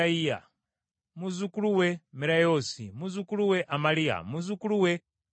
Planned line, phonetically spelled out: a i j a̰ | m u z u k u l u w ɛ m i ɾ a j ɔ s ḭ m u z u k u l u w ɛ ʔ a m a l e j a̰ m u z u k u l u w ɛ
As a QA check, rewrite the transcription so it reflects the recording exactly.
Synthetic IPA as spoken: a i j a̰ | m u z u k u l u w ɛ m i ɾ a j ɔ s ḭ m u z u k u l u w ɛ ʔ a m a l i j a̰ m u z u k u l u w ɛ